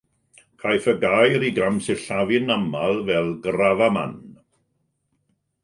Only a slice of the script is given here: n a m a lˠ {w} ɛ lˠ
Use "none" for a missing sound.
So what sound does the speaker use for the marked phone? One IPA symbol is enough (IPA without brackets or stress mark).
v